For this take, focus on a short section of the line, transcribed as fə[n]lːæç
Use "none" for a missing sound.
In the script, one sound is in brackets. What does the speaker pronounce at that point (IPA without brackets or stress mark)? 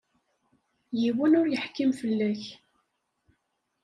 none